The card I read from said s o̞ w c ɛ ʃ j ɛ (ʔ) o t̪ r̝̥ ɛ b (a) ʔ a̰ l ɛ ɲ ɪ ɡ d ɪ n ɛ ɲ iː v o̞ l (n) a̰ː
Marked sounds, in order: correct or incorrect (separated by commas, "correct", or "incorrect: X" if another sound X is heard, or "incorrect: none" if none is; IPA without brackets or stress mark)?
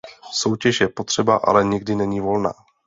incorrect: p, correct, correct